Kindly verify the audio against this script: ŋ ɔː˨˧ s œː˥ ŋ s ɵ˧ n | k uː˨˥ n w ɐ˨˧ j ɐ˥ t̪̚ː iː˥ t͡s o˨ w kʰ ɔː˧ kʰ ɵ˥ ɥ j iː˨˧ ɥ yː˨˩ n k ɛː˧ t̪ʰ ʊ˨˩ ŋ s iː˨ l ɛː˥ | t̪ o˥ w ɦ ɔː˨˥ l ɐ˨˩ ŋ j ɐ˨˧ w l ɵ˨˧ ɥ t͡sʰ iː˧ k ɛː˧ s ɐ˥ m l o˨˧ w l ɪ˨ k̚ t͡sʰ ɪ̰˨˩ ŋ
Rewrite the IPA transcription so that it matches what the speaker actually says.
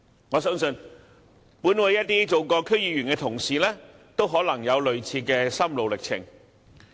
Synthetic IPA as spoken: ŋ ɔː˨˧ s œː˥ ŋ s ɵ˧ n | p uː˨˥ n w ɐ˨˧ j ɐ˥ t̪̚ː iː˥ t͡s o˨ w k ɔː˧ kʰ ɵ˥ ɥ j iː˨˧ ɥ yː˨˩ n k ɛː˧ t̪ʰ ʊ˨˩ ŋ s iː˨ l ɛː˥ | t̪ o˥ w ɦ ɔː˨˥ l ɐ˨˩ ŋ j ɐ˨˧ w l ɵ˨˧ ɥ t͡sʰ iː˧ k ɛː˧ s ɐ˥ m l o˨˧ w l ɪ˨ k̚ t͡sʰ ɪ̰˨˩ ŋ

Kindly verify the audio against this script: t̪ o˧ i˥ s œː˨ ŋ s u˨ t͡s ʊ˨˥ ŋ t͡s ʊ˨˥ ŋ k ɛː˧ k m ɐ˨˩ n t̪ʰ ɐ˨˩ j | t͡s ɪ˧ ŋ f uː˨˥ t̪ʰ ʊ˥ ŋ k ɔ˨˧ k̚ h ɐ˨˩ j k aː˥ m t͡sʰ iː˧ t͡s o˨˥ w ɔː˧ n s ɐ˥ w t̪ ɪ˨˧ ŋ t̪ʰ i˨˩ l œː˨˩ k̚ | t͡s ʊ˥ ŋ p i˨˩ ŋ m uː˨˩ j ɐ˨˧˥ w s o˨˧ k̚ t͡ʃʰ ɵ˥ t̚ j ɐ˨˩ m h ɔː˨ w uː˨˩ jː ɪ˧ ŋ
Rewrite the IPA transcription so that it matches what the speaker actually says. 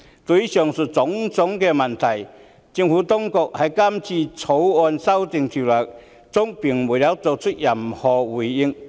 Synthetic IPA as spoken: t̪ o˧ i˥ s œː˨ ŋ s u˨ t͡s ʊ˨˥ ŋ t͡s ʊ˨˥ ŋ k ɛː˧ m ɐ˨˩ n t̪ʰ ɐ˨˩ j | t͡s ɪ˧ ŋ f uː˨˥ t̪ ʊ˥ ŋ k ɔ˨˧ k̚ h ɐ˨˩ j k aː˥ m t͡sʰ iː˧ t͡sʰ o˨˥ w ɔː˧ n s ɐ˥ w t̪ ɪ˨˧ ŋ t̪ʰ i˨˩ l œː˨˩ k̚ | t͡s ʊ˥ ŋ p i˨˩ ŋ m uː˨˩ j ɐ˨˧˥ w t͡s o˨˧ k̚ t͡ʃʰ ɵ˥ t̚ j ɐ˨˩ m h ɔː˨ w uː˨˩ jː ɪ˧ ŋ

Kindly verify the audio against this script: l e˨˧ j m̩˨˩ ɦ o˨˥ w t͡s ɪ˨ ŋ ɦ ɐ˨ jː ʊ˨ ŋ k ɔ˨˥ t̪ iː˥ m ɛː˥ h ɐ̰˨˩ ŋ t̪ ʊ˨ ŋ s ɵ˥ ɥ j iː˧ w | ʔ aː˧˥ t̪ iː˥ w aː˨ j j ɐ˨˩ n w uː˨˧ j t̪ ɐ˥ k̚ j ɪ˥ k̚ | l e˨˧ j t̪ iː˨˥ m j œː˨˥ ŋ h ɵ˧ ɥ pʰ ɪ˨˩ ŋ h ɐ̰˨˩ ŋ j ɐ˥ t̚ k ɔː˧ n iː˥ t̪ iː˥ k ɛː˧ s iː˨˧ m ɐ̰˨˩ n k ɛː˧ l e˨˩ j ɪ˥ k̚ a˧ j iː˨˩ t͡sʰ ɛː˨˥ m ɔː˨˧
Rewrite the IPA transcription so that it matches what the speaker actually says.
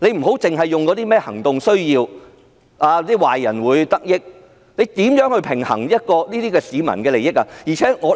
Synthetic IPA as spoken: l e˨˧ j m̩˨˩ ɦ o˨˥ w t͡s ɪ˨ ŋ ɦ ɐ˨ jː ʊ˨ ŋ k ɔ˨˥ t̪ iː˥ m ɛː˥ h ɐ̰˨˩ ŋ t̪ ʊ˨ ŋ s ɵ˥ ɥ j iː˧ w | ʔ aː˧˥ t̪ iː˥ w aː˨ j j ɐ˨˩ n w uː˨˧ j t̪ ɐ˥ k̚ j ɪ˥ k̚ | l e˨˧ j t̪ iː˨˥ m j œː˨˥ ŋ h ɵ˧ ɥ pʰ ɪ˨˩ ŋ h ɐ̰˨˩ ŋ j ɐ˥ t̚ k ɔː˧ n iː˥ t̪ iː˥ k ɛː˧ s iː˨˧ m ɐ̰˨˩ n k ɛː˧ l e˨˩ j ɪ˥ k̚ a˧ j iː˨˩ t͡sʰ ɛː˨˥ ŋ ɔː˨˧

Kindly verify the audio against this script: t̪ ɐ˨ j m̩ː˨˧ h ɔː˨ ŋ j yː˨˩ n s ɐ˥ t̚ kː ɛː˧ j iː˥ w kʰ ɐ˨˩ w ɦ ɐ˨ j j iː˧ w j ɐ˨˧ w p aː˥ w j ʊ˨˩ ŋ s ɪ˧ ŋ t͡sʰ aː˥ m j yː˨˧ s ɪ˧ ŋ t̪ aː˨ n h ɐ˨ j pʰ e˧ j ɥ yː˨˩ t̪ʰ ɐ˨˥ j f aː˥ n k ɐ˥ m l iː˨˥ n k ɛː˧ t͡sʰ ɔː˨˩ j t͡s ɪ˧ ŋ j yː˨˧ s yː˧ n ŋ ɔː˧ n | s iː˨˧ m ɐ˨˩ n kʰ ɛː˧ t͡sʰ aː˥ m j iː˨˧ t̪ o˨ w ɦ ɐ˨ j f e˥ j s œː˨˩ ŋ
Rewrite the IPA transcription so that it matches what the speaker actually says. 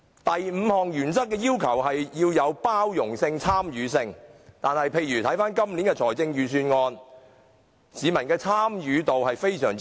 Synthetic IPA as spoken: t̪ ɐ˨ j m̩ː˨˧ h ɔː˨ ŋ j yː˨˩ n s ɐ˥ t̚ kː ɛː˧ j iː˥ w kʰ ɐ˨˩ w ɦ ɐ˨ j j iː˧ w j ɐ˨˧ w p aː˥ w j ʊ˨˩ ŋ s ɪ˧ ŋ t͡sʰ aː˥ m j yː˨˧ s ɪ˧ ŋ t̪ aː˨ n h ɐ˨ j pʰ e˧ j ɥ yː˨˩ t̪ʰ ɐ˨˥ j f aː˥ n k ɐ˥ m l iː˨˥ n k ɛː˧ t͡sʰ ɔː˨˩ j t͡s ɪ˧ ŋ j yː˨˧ s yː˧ n ŋ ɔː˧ n | s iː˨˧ m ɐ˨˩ n k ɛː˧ t͡sʰ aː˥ m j yː˨˧ t̪ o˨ w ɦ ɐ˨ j f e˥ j s œː˨˩ ŋ

